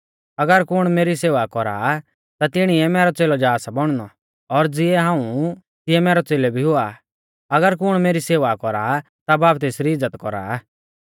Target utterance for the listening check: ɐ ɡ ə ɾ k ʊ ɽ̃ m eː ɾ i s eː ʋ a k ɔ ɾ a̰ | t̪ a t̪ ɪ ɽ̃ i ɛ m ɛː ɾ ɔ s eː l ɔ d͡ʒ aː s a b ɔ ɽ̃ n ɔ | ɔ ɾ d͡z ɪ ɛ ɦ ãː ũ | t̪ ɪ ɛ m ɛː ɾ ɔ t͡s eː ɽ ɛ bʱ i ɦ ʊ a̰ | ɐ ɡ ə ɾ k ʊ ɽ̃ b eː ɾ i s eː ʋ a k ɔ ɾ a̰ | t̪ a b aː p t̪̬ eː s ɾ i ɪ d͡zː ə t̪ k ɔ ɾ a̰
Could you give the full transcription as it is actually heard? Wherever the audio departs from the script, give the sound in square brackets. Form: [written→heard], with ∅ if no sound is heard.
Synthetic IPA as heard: ɐ ɡ ə ɾ k ʊ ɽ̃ m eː ɾ i s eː ʋ a k ɔ ɾ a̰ | t̪ a t̪ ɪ ɽ̃ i ɛ m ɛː ɾ ɔ [s→t͡s] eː l ɔ d͡ʒ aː s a b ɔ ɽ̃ n ɔ | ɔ ɾ d͡z ɪ ɛ ɦ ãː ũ | t̪ ɪ ɛ m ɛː ɾ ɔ t͡s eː [ɽ→l] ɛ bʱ i ɦ ʊ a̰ | ɐ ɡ ə ɾ k ʊ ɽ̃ [b→m] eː ɾ i s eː ʋ a k ɔ ɾ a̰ | t̪ a b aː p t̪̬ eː s ɾ i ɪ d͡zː ə t̪ k ɔ ɾ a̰